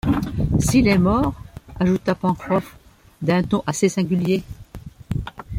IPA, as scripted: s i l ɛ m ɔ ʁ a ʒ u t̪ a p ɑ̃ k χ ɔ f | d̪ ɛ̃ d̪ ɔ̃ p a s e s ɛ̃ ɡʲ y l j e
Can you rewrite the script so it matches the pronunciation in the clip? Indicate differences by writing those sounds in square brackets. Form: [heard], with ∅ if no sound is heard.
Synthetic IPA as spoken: s i l ɛ m ɔ ʁ a ʒ u t̪ a p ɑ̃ k χ ɔ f | d̪ ɛ̃ [t̪] ɔ̃ [ʔ] a s e s ɛ̃ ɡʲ y l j e